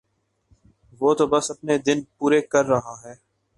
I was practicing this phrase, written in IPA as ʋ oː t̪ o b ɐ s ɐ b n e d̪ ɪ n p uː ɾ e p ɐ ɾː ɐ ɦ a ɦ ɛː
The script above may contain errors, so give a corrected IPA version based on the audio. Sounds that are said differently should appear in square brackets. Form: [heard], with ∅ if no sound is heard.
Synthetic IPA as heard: ʋ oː t̪ o b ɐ s ɐ [p] n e d̪ ɪ n p uː ɾ e [k] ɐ ɾː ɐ ɦ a ɦ ɛː